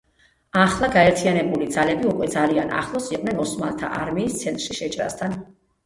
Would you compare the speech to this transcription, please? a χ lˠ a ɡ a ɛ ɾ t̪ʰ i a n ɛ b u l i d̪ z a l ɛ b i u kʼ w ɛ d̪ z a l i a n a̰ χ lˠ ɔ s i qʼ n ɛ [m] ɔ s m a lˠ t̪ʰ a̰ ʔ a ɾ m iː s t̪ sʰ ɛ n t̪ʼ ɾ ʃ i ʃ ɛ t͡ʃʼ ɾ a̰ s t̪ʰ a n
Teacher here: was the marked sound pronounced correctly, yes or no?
no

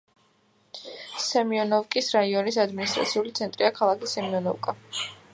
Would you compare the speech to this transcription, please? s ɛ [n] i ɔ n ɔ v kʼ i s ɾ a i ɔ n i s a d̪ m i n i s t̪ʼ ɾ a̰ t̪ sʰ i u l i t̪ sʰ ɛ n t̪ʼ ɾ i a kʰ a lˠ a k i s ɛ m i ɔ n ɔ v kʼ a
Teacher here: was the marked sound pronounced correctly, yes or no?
no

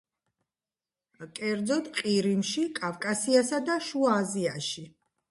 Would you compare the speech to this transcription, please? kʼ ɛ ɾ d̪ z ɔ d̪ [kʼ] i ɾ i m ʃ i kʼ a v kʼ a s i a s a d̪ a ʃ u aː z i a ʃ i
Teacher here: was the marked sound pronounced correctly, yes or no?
no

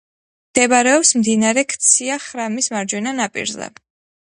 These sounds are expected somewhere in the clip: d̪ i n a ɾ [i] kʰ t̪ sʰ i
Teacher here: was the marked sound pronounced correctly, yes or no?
no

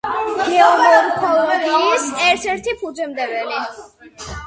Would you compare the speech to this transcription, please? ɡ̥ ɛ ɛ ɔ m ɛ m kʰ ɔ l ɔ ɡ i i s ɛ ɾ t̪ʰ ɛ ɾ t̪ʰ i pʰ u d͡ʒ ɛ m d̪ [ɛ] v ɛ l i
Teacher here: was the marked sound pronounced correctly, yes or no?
yes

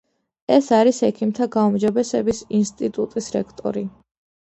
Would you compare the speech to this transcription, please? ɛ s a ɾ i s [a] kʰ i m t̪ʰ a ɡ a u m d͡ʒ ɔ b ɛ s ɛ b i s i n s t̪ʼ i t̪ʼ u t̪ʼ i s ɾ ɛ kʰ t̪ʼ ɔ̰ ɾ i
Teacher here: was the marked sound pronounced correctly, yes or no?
no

